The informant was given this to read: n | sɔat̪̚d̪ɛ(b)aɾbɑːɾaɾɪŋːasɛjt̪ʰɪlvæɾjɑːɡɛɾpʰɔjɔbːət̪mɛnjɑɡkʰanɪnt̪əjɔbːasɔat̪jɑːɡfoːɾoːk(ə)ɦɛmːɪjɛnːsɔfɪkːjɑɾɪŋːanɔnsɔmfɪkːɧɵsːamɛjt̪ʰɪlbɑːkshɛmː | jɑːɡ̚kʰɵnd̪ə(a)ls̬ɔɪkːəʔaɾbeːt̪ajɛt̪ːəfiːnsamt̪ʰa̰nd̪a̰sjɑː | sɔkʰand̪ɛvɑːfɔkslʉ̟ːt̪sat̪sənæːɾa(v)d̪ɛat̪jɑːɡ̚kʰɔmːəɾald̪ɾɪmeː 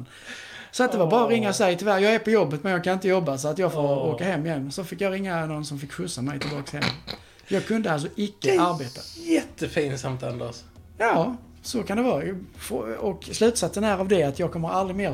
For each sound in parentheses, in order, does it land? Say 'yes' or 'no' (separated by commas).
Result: no, no, yes, yes